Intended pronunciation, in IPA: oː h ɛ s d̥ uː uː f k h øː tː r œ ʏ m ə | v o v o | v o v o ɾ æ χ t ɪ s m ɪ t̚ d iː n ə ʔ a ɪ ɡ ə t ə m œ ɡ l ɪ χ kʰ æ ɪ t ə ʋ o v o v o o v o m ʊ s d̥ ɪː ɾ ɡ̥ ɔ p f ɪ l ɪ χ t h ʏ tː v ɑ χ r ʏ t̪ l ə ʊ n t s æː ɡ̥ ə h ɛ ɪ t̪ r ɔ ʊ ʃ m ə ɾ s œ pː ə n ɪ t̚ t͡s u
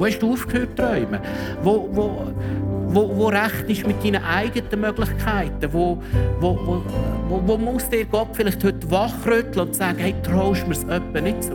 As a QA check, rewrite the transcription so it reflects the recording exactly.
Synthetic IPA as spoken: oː h ɛ ʃ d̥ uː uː f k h øː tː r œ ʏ m ə | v o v o | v o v o ɾ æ χ t ɪ ʃ m ɪ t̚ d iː n ə ʔ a ɪ ɡ ə t ə m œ ɡ l ɪ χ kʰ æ ɪ t ə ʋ o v o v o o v o m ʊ s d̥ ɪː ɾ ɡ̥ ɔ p f ɪ l ɪ χ t h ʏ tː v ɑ χ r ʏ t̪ l ə ʊ n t s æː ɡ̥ ə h ɛ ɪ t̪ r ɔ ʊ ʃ m ə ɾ s œ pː ə n ɪ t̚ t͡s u